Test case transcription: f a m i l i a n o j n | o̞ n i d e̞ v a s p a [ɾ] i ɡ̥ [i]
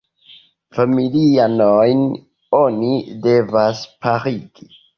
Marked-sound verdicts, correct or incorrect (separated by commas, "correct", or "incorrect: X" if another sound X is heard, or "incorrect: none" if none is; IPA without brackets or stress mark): correct, correct